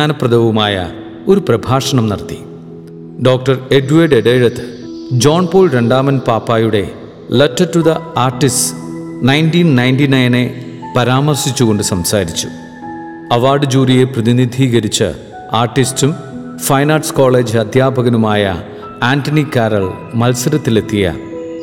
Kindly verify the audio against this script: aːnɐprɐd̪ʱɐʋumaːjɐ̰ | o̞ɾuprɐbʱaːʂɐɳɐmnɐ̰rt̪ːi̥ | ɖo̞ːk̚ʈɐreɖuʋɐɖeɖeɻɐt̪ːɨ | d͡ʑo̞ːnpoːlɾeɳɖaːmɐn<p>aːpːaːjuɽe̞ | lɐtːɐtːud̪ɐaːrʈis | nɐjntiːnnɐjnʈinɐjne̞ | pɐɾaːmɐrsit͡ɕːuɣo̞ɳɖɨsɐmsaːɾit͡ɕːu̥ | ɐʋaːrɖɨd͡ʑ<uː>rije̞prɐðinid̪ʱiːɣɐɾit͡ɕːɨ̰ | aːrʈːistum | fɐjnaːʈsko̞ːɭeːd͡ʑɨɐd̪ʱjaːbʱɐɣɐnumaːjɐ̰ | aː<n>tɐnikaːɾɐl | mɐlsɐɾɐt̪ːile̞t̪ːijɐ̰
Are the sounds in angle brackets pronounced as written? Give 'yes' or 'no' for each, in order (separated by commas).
yes, yes, yes